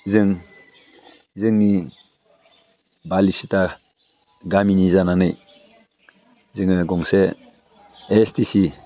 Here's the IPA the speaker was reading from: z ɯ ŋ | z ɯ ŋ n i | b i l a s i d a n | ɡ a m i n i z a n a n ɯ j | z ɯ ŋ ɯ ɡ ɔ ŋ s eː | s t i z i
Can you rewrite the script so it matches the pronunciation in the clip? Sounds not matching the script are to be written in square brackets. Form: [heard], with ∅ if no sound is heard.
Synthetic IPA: z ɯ ŋ | z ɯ ŋ n i | b [a] l [i] s i [t] a [∅] | ɡ a m i n i z a n a n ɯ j | z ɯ ŋ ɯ ɡ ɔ ŋ s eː | s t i [s] i

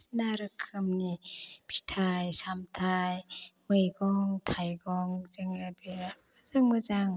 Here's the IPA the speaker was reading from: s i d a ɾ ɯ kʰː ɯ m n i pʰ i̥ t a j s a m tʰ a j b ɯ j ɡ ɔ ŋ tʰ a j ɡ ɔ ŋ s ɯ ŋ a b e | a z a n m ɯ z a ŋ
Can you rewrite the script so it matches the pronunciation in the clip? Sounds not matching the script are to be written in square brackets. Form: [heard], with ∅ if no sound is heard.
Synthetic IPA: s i [n] a ɾ ɯ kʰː ɯ m n i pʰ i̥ [tʰ] a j s a m tʰ a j [m] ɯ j ɡ ɔ ŋ tʰ a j ɡ ɔ ŋ [z] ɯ ŋ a b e | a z a [ŋ] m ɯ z a ŋ

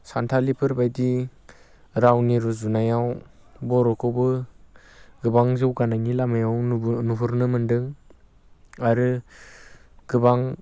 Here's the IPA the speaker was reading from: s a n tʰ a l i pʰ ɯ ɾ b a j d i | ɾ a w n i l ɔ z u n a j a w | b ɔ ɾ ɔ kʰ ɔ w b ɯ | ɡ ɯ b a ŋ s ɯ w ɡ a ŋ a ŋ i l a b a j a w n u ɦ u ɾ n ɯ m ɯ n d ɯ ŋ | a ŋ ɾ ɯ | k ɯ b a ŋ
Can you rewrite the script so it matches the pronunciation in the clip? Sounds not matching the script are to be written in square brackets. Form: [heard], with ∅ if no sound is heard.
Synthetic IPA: s a n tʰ a l i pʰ ɯ ɾ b a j d i | ɾ a w n i [ɾ] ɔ z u n a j a w | b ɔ ɾ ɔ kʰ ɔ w b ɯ | ɡ ɯ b a ŋ [z] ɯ w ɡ a [n] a ŋ i l a [m] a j a w n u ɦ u ɾ n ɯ m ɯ n d ɯ ŋ | a [∅] ɾ ɯ | [ɡ] ɯ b a ŋ

